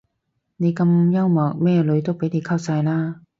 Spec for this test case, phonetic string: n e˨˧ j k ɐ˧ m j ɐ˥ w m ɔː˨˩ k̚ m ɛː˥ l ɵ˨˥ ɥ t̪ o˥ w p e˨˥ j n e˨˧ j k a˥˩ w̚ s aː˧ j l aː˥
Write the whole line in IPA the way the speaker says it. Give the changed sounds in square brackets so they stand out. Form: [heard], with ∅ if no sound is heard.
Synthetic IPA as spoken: n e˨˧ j k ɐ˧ m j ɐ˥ w m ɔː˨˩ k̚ m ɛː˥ l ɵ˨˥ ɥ t̪ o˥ w p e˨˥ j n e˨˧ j [kʰ] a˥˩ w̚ s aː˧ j l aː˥